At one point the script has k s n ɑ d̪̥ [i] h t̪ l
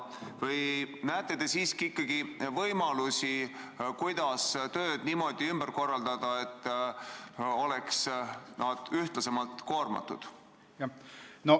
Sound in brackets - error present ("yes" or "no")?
yes